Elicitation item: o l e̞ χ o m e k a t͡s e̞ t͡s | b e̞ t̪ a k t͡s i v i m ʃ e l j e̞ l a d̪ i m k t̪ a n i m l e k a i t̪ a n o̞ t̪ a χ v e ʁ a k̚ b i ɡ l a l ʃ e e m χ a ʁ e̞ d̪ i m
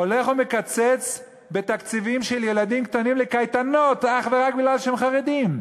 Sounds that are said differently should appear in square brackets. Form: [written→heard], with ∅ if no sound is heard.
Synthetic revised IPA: o l e̞ χ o m e k a t͡s e̞ t͡s | b e̞ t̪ a k t͡s i v i m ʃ e l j e̞ l a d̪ i m k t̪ a n i m l e k a [i→j] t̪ a n o̞ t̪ a χ v e ʁ a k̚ b i ɡ l a l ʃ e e m χ a ʁ e̞ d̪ i m